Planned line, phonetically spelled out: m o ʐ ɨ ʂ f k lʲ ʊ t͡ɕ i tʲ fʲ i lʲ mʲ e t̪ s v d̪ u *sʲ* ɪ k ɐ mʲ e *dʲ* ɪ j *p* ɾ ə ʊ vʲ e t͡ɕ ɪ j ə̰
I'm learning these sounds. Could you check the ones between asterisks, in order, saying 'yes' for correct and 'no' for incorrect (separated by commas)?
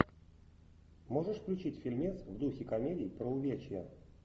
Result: no, yes, yes